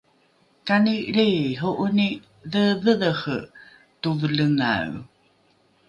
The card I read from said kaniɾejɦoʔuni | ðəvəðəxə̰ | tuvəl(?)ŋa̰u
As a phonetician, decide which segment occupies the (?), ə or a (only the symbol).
ə